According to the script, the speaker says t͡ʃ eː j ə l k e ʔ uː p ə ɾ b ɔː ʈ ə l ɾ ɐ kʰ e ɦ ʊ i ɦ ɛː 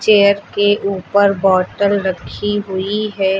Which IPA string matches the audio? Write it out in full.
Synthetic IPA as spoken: t͡ʃ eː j ə ɾ k e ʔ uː p ə ɾ b ɔː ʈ ə l ɾ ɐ kʰ i ɦ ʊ i ɦ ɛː